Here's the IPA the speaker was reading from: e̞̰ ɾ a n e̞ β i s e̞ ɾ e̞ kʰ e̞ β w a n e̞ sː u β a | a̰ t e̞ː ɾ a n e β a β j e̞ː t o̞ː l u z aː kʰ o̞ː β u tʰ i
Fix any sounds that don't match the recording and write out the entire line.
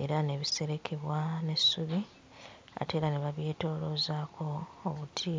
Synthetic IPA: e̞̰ ɾ a n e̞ β i s e̞ ɾ e̞ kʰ e̞ β w a n e̞ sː u β i | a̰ t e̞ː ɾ a n e β a β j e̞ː t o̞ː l o z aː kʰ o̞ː β u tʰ i